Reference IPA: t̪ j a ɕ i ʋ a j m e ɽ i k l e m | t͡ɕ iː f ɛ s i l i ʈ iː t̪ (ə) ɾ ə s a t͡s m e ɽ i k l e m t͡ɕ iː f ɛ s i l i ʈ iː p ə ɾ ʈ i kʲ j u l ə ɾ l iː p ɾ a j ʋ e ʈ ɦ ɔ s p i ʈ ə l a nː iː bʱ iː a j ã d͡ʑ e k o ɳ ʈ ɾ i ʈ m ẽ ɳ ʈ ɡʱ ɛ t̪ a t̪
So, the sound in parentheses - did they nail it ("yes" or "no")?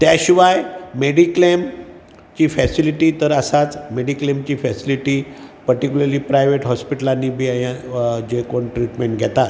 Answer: yes